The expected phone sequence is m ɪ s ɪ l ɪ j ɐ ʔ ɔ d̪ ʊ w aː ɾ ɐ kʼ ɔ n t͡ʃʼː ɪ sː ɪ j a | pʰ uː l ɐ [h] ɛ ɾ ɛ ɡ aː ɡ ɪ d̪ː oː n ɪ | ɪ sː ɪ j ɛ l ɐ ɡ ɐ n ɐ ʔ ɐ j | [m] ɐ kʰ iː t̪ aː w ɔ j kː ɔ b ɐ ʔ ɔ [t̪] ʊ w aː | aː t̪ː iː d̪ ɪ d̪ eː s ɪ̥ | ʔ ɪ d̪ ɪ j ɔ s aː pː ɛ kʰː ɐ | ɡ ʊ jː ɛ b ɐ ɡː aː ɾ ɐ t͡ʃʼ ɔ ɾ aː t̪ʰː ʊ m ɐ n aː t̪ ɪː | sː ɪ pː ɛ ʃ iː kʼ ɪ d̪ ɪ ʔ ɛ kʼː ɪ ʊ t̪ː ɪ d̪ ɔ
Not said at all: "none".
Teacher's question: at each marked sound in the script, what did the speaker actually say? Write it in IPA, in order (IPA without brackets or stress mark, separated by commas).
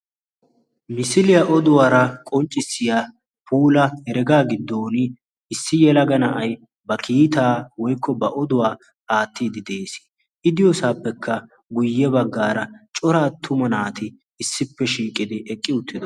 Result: h, b, d̪